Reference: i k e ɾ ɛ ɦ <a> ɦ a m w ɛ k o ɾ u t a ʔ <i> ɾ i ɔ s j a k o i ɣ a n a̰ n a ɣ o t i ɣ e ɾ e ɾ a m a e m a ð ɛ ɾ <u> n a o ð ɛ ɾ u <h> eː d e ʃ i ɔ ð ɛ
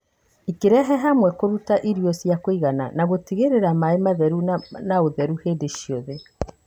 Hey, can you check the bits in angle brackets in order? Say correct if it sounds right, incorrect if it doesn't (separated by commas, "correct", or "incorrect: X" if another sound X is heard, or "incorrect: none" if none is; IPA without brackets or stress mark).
incorrect: ɛ, correct, correct, correct